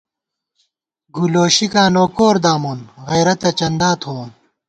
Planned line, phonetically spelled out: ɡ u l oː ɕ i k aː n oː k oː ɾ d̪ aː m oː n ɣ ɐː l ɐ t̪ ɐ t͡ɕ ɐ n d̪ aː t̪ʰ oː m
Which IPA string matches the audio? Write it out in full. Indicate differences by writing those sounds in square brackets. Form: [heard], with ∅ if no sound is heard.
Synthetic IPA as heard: ɡ u l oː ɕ i k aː n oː k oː ɾ d̪ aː m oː n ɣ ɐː [ɾ] ɐ t̪ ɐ t͡ɕ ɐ n d̪ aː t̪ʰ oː [n]